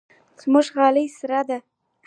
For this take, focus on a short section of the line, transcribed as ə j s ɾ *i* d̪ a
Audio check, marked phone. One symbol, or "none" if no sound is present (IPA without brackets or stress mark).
a